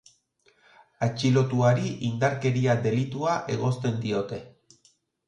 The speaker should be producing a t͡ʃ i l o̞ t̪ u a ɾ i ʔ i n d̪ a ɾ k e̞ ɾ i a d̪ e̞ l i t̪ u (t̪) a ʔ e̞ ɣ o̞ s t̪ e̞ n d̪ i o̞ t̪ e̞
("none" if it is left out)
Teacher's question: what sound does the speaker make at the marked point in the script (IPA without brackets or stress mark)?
none